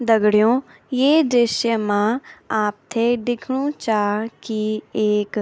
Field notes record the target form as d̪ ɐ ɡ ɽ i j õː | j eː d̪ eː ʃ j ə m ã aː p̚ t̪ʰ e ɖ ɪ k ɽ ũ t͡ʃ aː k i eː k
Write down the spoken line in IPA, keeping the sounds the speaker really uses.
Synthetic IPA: d̪ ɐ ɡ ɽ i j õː | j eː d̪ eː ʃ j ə m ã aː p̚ t̪ʰ e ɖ ɪ kʰ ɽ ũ t͡ʃ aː k i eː k